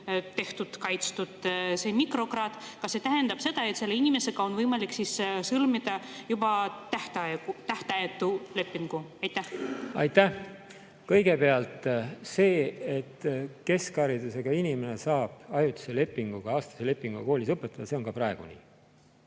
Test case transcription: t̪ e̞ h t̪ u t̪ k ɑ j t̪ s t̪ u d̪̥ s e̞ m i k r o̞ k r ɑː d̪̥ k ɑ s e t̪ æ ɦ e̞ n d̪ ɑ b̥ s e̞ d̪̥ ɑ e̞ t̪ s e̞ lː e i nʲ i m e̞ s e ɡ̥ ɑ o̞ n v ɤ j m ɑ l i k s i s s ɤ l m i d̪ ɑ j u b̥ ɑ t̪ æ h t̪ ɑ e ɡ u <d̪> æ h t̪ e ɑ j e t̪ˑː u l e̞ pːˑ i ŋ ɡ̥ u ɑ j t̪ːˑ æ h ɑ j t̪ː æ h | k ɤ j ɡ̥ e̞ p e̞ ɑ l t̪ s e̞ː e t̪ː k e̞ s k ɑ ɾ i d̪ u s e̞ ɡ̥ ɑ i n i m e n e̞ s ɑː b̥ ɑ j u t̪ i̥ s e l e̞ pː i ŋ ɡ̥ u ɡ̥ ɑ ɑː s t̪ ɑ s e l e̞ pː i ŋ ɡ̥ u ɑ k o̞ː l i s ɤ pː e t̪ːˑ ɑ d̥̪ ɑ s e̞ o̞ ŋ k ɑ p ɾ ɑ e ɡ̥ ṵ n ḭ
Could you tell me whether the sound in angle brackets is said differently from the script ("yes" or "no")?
yes